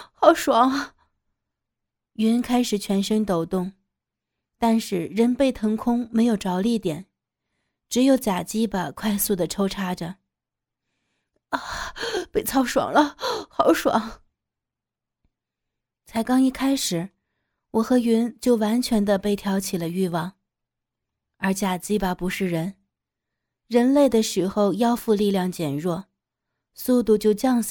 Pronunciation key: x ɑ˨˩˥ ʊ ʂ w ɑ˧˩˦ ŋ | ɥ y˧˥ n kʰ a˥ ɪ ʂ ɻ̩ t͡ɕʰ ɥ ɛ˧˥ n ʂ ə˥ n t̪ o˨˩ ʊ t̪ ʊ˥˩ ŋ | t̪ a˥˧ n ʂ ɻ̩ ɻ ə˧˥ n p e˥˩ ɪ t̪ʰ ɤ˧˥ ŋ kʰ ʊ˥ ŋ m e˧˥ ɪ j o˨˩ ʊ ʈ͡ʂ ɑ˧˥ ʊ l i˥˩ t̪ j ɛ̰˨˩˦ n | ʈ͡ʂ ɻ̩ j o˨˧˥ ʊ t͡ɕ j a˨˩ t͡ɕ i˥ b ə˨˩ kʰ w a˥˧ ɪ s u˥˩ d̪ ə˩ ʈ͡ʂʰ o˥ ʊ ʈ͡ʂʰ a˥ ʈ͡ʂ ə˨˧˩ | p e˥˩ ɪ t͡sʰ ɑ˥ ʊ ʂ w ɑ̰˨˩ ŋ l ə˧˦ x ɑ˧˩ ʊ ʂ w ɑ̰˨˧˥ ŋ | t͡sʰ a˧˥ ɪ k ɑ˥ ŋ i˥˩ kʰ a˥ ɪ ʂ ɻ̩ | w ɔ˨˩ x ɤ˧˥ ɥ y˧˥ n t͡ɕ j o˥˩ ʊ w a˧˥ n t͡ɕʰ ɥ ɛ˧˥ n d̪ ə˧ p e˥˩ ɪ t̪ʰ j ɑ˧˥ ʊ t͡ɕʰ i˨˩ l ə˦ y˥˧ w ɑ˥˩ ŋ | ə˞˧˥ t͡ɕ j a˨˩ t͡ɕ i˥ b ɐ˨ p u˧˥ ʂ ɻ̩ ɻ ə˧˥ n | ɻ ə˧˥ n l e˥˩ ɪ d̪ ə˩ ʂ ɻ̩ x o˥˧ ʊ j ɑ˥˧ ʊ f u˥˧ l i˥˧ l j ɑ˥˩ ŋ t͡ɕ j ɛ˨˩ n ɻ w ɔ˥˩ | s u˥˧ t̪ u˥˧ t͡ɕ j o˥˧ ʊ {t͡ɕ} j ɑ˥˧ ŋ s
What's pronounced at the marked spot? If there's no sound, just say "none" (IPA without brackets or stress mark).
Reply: t͡ɕ